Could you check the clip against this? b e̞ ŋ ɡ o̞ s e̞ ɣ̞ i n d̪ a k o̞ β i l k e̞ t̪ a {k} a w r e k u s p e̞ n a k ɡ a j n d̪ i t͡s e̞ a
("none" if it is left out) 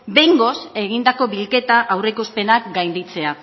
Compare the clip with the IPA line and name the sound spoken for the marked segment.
ʔ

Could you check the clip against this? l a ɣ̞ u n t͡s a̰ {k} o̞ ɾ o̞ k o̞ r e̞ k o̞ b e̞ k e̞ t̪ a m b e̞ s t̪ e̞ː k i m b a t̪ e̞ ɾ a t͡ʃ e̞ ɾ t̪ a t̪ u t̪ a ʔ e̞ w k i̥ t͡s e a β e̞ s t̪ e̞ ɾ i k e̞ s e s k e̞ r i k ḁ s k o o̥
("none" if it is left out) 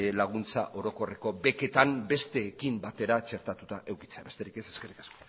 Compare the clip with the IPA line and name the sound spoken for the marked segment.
ʔ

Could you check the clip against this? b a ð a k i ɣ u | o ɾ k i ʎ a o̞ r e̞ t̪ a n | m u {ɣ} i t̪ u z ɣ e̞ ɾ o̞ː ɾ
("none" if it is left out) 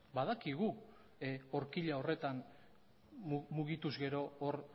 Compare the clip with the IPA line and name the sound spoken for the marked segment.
ɣ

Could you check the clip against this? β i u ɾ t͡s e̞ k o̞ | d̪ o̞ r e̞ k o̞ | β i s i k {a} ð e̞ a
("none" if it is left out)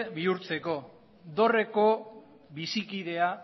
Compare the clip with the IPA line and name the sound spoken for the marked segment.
i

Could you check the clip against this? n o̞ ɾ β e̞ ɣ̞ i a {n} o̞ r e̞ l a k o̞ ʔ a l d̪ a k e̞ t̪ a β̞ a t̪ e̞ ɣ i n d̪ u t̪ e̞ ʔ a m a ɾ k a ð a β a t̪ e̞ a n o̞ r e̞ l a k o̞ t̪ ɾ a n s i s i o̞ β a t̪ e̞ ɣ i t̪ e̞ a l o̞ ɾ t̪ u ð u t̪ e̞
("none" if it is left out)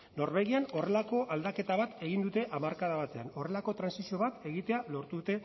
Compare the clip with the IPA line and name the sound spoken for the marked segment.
n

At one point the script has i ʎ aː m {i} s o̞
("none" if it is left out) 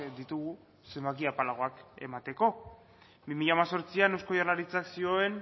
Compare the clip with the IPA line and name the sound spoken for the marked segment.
a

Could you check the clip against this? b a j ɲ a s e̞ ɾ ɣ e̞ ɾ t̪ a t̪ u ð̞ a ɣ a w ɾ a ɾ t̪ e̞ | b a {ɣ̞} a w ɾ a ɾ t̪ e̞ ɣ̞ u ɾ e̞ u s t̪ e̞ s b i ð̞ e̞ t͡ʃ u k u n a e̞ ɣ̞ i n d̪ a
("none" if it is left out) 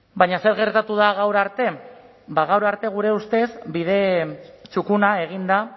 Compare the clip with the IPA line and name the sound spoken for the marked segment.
ɣ̞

